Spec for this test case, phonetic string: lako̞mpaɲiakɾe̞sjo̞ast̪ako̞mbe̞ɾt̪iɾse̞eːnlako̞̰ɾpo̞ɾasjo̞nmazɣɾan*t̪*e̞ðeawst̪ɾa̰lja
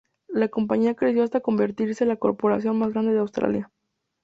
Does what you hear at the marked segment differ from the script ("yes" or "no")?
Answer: yes